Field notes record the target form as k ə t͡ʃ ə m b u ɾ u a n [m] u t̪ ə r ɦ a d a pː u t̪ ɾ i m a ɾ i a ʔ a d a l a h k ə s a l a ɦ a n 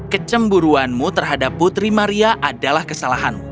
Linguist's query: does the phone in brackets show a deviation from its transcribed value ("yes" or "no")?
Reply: no